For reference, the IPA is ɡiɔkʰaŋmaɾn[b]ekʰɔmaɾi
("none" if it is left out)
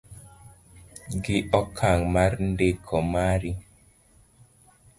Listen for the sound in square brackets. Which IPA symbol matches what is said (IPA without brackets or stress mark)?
d